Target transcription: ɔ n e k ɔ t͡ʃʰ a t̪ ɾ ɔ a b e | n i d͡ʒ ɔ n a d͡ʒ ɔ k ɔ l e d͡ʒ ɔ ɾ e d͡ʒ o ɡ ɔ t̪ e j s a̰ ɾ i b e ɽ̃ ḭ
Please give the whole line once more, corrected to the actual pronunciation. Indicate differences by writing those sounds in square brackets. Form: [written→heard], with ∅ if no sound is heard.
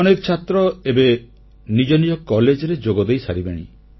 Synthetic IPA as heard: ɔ n e k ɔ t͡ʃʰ a t̪ ɾ ɔ [a→e] b e | n i d͡ʒ ɔ n [a→i] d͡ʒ ɔ k ɔ l e d͡ʒ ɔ ɾ e d͡ʒ o ɡ ɔ [t̪→d̪] e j s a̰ ɾ i b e ɽ̃ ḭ

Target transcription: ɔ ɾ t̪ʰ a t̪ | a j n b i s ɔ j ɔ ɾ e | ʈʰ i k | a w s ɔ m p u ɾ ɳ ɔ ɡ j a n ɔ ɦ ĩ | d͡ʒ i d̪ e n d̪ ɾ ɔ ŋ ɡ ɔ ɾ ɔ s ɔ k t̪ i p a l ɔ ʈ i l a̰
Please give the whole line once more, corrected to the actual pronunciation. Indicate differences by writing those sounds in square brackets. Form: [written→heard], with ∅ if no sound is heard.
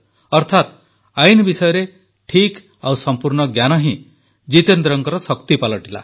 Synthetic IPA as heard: ɔ ɾ t̪ʰ a t̪ | a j n b i s ɔ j ɔ ɾ e | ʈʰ i k | a w s ɔ m p u ɾ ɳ ɔ ɡ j a n ɔ ɦ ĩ | d͡ʒ i [d̪→t̪] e n d̪ ɾ ɔ ŋ [ɡ→k] ɔ ɾ ɔ s ɔ k t̪ i p a l ɔ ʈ i l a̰

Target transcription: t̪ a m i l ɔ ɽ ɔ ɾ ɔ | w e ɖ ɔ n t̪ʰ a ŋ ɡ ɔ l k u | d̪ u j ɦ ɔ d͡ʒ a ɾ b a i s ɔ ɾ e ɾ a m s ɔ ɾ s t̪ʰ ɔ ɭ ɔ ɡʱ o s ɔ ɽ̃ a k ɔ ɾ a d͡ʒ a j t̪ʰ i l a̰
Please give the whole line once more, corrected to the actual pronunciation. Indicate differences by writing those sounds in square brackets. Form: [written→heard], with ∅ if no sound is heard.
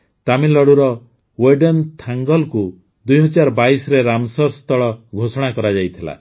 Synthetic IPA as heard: t̪ a m i l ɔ ɽ [ɔ→u] ɾ ɔ | w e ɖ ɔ n t̪ʰ a ŋ ɡ ɔ l k u | d̪ u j ɦ ɔ d͡ʒ a ɾ b a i s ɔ ɾ e ɾ a m s ɔ ɾ s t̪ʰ ɔ ɭ ɔ ɡʱ o s ɔ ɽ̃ a k ɔ ɾ a d͡ʒ a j t̪ʰ i l a̰

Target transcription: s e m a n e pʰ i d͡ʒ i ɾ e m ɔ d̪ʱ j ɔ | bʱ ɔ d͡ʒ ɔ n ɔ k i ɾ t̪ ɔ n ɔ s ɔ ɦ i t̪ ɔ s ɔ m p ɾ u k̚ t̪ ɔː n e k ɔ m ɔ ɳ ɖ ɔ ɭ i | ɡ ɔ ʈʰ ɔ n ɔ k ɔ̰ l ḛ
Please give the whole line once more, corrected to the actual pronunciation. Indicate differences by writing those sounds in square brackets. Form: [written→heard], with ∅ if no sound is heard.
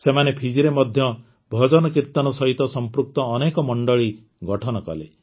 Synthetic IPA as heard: s e m a n e pʰ i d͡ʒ i ɾ e m ɔ d̪ʱ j ɔ | bʱ ɔ d͡ʒ ɔ n ɔ k i ɾ t̪ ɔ n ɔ s ɔ ɦ i t̪ ɔ s ɔ m p ɾ u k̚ t̪ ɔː n e k ɔ m ɔ ɳ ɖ ɔ ɭ i | ɡ ɔ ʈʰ ɔ n ɔ k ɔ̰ l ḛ

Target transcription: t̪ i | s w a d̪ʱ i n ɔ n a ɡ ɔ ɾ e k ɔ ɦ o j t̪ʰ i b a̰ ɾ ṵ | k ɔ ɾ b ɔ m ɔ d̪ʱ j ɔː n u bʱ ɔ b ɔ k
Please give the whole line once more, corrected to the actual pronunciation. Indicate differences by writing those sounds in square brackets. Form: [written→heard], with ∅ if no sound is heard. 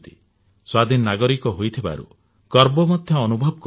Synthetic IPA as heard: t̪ i | s w a d̪ʱ i n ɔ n a ɡ ɔ ɾ [e→i] k ɔ ɦ o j t̪ʰ i b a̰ ɾ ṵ | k ɔ ɾ b ɔ m ɔ d̪ʱ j ɔː n u bʱ ɔ b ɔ k

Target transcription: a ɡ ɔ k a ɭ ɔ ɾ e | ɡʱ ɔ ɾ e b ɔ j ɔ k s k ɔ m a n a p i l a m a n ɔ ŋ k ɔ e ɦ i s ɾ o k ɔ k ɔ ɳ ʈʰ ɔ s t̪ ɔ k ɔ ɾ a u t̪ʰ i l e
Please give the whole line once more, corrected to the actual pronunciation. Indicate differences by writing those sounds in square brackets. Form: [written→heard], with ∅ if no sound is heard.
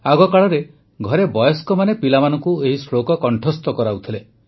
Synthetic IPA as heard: a ɡ ɔ k a ɭ ɔ ɾ e | ɡʱ ɔ ɾ e b ɔ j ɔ [k→∅] s k ɔ m a n [a→e] p i l a m a n ɔ ŋ k [ɔ→u] e ɦ i s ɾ o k ɔ k ɔ ɳ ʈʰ ɔ s t̪ ɔ k ɔ ɾ a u t̪ʰ i l e

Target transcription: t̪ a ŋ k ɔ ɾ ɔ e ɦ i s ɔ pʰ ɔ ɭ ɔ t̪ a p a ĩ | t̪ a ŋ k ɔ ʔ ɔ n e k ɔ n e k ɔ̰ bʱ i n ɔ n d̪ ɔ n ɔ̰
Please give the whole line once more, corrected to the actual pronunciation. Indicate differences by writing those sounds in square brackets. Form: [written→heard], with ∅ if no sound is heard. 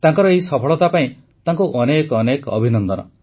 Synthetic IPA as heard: t̪ a ŋ k ɔ ɾ ɔ e ɦ i s ɔ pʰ ɔ ɭ ɔ t̪ a p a ĩ | t̪ a ŋ k [ɔ→u] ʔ ɔ n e k ɔ n e k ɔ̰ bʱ i n ɔ n d̪ ɔ n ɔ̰

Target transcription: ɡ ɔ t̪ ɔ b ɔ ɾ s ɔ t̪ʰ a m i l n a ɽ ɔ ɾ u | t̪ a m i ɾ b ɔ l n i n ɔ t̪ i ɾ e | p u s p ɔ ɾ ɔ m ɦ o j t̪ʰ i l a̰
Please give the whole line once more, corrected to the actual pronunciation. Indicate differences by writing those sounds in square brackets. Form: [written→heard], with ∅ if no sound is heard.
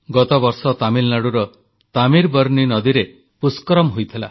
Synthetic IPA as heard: ɡ ɔ t̪ ɔ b ɔ ɾ s ɔ [t̪ʰ→t̪] a m i l n a ɽ [ɔ→u] ɾ [u→ɔ] | t̪ a m i ɾ b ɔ [l→ɾ] n i n ɔ [t̪→d̪] i ɾ e | p u s [p→k] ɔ ɾ ɔ m ɦ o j t̪ʰ i l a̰

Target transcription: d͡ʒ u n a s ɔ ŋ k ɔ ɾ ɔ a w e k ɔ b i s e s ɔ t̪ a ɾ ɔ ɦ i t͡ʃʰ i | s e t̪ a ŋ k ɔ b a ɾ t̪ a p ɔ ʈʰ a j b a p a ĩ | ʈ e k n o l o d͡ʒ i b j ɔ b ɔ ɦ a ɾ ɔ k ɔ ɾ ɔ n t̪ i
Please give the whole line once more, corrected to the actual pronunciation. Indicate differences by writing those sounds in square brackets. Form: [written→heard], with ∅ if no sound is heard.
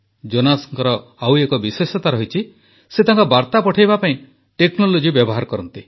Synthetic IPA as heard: d͡ʒ [u→o] n a s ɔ ŋ k ɔ ɾ ɔ a w e k ɔ b i s e s ɔ t̪ a ɾ ɔ ɦ i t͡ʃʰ i | s e t̪ a ŋ k ɔ b a ɾ t̪ a p ɔ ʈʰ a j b a p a ĩ | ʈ e k n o l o d͡ʒ i b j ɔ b ɔ ɦ a ɾ ɔ k ɔ ɾ ɔ n t̪ i

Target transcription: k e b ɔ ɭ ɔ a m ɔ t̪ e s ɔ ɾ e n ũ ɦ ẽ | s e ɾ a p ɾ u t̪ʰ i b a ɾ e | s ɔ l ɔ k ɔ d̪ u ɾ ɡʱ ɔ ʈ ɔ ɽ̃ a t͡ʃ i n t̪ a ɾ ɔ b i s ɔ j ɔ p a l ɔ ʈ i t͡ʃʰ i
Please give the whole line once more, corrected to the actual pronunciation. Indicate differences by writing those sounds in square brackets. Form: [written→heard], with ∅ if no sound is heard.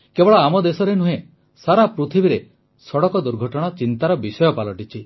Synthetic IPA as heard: k e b ɔ ɭ ɔ a m ɔ [t̪→d̪] e s ɔ ɾ e n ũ ɦ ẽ | s [e→a] ɾ a p ɾ u t̪ʰ i b [a→i] ɾ e | s ɔ [l→ɽ] ɔ k ɔ d̪ u ɾ ɡʱ ɔ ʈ ɔ ɽ̃ a t͡ʃ i n t̪ a ɾ ɔ b i s ɔ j ɔ p a l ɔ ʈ i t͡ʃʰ i

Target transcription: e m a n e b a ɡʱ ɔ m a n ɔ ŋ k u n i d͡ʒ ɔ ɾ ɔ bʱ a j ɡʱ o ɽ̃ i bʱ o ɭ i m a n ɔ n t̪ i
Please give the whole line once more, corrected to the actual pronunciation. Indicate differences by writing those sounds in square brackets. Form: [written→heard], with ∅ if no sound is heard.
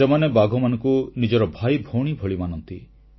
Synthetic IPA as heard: e m a n e b a ɡʱ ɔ m a n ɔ ŋ k u n i d͡ʒ ɔ ɾ ɔ bʱ a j [ɡʱ→bʱ] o ɽ̃ i bʱ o ɭ i m a n ɔ n t̪ i

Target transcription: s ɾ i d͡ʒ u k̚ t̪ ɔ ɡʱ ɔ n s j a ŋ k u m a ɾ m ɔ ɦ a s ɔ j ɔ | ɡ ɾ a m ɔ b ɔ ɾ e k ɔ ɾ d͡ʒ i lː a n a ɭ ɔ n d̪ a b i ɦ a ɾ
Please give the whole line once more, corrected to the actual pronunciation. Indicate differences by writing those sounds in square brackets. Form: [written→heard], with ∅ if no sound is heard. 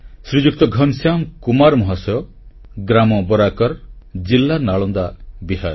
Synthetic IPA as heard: s ɾ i d͡ʒ u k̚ t̪ ɔ ɡʱ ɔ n s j a [ŋ→m] k u m a ɾ m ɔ ɦ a s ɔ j ɔ | ɡ ɾ a m ɔ b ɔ ɾ [e→a] k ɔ ɾ d͡ʒ i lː a n a ɭ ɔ n d̪ a b i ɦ a ɾ

